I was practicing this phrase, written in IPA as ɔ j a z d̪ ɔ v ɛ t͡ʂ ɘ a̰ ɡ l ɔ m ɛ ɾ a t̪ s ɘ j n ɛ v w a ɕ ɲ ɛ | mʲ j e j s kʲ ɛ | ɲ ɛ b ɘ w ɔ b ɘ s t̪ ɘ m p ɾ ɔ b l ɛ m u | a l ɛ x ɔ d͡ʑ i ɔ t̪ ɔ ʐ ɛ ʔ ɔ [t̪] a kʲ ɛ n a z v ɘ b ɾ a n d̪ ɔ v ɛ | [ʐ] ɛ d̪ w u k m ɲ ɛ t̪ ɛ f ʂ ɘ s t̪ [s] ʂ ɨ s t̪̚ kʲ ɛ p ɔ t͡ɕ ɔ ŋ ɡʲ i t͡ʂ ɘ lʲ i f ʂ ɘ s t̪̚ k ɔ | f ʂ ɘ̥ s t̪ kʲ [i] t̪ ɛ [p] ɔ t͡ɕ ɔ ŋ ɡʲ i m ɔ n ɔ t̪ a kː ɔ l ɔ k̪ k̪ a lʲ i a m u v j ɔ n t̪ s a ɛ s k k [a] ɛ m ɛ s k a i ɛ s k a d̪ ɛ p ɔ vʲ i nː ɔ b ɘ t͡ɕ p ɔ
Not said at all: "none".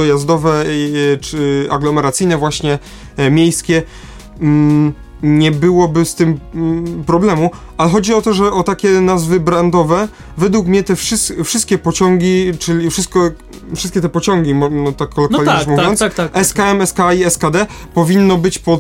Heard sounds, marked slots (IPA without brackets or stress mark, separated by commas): t̪, v, f, ɛ, p, a